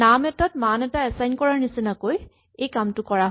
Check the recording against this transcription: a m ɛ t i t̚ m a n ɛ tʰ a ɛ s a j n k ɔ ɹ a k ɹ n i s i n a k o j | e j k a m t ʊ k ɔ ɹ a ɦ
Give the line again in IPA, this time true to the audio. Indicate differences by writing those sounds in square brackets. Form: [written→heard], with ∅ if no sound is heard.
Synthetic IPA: a m ɛ t [i→a] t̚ m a n ɛ [tʰ→t] a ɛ s a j n k ɔ ɹ a [k→∅] ɹ n i s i n a k o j | e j k a m t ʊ k ɔ ɹ a ɦ